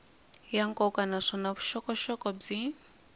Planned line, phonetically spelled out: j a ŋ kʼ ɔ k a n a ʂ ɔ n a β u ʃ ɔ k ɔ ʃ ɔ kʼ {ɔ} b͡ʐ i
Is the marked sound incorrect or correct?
correct